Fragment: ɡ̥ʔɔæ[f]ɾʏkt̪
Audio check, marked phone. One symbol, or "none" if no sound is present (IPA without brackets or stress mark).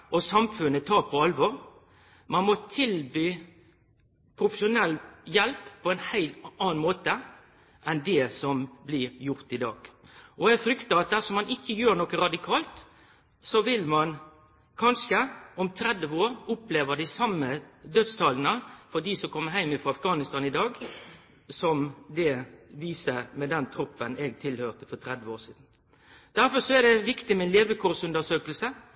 f